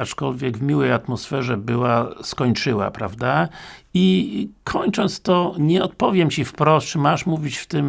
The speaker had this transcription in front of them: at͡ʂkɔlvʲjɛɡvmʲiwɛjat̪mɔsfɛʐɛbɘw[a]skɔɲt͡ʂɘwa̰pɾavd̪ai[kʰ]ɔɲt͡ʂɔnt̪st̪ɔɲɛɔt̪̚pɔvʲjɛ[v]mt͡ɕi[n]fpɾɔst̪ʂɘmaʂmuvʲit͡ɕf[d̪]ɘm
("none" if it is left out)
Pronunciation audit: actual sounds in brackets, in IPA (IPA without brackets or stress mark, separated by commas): a, kʰ, none, none, t̪